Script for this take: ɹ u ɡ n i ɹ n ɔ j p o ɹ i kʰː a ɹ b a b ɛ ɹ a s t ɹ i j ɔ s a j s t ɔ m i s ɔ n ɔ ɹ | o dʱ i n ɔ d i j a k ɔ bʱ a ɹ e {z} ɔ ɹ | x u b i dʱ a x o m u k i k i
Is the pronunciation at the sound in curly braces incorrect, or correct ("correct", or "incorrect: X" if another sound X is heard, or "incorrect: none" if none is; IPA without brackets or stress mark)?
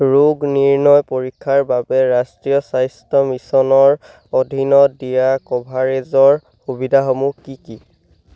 correct